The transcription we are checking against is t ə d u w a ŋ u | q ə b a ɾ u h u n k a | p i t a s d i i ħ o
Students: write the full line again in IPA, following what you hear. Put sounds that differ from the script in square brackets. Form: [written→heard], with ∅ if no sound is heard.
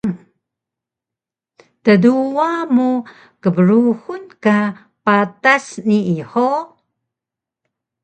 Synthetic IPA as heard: t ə d u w a [ŋ→m] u | [q→k] ə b [a→ə] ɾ u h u n k a | p [i→a] t a s [d→n] i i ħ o